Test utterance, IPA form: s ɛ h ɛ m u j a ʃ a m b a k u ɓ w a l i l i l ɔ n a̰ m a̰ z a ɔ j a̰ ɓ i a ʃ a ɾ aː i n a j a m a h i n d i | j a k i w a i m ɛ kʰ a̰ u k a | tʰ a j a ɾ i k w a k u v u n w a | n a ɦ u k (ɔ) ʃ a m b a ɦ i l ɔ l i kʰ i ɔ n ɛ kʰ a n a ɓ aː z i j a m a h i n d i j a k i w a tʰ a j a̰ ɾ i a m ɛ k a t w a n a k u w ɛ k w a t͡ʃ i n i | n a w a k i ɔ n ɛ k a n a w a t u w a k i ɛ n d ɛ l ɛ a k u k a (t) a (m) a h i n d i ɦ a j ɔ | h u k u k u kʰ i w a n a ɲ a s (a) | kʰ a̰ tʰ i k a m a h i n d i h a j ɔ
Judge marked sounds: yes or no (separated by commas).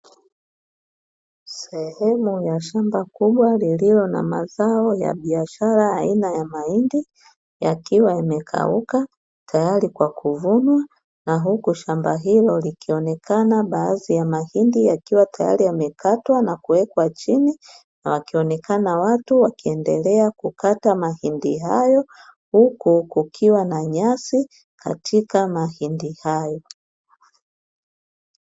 no, yes, yes, no